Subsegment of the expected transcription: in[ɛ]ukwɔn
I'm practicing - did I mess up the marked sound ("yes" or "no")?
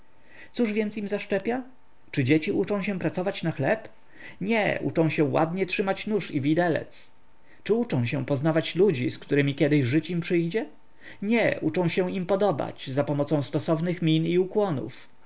yes